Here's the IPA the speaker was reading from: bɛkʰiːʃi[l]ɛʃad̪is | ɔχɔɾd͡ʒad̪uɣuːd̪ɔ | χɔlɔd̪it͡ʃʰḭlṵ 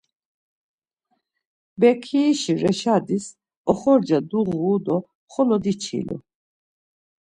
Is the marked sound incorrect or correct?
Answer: incorrect